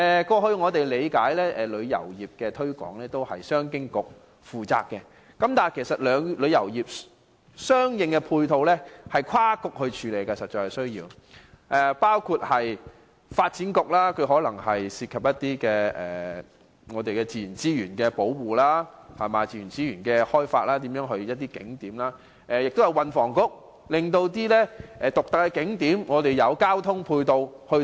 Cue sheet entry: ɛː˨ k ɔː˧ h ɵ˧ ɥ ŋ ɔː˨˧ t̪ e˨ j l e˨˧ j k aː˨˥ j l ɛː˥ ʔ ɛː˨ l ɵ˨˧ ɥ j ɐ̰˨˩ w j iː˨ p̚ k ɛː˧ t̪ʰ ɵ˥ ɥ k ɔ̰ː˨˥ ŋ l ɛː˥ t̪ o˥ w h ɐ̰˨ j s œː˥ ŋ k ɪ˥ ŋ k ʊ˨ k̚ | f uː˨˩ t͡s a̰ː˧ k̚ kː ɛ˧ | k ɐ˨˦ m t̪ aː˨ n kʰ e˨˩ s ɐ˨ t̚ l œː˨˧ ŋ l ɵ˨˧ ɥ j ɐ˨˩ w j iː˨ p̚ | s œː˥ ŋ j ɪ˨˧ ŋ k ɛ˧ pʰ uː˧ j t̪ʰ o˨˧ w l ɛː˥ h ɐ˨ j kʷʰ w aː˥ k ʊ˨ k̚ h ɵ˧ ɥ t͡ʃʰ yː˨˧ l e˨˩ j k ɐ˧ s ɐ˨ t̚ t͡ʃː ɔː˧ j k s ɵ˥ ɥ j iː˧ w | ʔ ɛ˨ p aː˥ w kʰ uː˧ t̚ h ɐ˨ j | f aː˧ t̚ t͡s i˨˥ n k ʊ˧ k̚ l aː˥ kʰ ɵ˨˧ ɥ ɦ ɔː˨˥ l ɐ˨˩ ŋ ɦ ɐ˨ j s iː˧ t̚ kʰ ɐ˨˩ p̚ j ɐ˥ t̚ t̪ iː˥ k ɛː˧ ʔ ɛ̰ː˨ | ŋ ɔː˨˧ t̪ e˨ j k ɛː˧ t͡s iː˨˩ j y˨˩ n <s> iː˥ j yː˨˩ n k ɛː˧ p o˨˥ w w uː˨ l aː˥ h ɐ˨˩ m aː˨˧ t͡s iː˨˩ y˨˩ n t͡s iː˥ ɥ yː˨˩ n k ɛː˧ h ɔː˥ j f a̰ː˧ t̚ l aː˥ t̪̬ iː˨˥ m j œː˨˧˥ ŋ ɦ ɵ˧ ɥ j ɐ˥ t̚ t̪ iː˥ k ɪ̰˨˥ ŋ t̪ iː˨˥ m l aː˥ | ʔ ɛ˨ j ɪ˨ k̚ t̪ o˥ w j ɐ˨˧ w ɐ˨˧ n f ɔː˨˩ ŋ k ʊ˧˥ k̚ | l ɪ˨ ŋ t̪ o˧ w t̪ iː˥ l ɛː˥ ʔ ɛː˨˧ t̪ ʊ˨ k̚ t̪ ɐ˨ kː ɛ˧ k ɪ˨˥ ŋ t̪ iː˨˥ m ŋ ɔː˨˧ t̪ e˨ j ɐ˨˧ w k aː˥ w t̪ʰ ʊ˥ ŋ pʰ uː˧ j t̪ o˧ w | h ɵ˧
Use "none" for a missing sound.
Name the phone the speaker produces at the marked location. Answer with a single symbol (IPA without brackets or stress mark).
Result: t͡s